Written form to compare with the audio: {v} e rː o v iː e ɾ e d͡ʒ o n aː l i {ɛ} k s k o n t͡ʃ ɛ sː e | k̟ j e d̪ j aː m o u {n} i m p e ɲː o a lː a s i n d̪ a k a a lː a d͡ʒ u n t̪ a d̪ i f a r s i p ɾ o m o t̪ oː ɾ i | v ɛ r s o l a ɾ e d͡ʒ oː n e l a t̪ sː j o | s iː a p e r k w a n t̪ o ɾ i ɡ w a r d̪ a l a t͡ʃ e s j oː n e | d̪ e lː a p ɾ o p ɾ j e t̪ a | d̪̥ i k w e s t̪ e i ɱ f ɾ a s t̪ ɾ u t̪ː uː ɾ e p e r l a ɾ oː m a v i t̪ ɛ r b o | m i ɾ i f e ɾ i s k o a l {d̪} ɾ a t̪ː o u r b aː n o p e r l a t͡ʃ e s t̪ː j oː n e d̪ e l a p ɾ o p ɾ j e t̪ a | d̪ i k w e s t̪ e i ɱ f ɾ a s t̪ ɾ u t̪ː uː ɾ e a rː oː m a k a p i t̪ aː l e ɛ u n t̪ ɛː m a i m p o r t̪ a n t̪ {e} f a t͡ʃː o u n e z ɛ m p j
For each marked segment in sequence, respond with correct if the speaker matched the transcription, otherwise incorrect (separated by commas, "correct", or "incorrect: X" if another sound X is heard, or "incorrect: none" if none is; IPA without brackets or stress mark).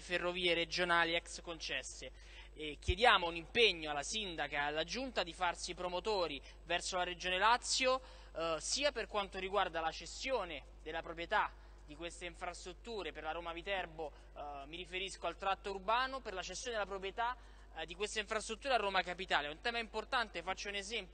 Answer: incorrect: f, correct, correct, incorrect: t̪, correct